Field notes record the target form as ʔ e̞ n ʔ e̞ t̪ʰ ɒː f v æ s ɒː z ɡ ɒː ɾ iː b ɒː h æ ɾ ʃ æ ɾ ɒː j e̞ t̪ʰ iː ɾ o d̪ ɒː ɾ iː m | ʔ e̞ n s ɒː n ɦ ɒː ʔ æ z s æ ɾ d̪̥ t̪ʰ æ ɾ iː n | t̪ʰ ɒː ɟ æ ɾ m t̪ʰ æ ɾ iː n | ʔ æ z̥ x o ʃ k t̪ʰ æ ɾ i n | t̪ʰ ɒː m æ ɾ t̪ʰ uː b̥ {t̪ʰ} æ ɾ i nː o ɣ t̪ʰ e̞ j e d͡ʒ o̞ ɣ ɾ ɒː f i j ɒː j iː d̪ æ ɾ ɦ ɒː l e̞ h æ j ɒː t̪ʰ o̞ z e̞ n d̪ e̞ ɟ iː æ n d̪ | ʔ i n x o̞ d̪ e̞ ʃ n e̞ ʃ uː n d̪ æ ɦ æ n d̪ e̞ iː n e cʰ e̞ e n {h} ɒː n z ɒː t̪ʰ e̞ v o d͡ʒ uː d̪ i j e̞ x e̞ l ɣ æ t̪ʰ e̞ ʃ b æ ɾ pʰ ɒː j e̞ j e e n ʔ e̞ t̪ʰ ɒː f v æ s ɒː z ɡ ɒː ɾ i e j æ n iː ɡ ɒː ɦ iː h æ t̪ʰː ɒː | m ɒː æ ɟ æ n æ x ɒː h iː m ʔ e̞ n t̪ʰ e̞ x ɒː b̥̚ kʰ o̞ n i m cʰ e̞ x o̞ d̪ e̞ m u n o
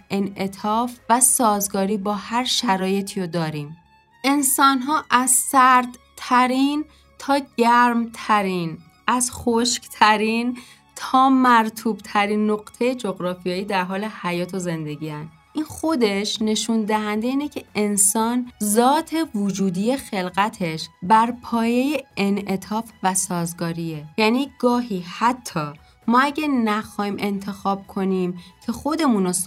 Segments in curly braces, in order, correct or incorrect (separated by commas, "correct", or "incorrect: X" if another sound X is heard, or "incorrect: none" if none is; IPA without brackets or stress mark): correct, incorrect: s